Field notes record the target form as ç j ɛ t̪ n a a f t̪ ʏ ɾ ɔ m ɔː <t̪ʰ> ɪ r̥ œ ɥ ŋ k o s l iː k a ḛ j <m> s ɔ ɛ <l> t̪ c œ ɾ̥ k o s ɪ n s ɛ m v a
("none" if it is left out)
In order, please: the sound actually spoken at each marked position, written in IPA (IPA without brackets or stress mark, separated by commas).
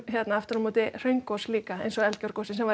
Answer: t̪, n, l